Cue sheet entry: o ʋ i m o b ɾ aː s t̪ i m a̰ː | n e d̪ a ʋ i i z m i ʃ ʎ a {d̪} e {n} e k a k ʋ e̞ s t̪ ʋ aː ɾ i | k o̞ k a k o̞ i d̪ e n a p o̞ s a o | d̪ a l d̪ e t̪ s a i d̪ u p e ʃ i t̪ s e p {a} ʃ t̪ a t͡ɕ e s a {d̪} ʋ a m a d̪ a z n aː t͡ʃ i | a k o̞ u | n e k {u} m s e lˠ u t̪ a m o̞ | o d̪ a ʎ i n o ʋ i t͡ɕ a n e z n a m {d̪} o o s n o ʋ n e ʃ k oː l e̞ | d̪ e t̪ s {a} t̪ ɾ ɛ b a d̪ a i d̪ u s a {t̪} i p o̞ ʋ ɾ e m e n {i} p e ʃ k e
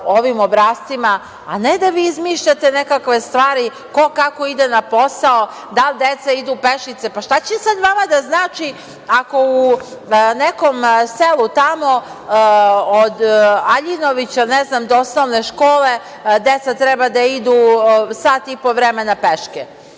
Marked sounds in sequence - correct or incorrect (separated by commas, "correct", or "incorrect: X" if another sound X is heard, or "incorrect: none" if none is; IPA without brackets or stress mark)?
incorrect: t̪, correct, correct, correct, incorrect: o, correct, correct, correct, incorrect: a